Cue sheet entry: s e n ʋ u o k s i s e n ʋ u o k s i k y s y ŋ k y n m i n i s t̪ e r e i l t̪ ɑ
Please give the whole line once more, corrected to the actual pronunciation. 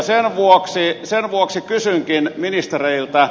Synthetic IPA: s e n ʋ u o k s i s e n ʋ u o k s i k y s y ŋ k i n m i n i s t̪ e r e i l t̪ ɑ